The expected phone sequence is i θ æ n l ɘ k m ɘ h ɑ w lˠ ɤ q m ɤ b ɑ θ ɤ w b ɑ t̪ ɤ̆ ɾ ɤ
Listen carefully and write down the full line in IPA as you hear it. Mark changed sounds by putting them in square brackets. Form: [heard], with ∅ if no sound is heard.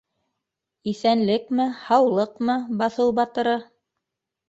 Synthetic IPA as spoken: i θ æ n l ɘ k m ɘ h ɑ w lˠ ɤ q m ɤ b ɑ θ ɤ w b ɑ t̪ ɤ̆ ɾ ɤ